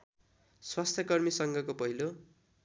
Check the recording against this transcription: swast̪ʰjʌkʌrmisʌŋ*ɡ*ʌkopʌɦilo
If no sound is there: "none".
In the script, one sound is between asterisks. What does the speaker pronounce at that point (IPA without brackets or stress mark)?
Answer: ɡ